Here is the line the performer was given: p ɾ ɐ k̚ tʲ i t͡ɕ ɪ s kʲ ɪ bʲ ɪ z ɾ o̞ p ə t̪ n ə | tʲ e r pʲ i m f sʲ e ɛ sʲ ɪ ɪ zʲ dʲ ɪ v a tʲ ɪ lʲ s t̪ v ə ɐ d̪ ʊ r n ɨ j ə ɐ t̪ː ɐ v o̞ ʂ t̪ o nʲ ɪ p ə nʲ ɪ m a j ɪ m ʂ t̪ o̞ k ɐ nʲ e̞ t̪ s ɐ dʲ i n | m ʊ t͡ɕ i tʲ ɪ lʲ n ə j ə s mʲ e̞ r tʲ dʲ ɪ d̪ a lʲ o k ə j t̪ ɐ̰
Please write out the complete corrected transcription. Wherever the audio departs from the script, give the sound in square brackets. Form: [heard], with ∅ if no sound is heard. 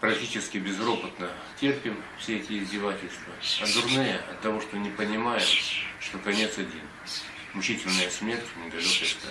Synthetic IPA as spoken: p ɾ ɐ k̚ tʲ i t͡ɕ ɪ s kʲ ɪ bʲ ɪ z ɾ o̞ p ə t̪ n ə | tʲ e r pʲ [ɪ] m f sʲ e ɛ [tʲ] ɪ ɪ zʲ dʲ ɪ v a tʲ ɪ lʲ s t̪ v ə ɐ d̪ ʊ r n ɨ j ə ɐ t̪ː ɐ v o̞ ʂ t̪ o nʲ ɪ p ə nʲ ɪ m a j ɪ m ʂ t̪ o̞ k ɐ nʲ e̞ t̪ s ɐ dʲ i n | m ʊ t͡ɕ i tʲ ɪ lʲ n ə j ə s mʲ e̞ r tʲ [nʲ] ɪ d̪ [ɐ] lʲ o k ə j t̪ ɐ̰